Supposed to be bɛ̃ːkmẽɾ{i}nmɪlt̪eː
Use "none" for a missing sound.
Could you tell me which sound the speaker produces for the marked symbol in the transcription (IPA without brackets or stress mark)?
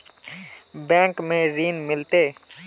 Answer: iː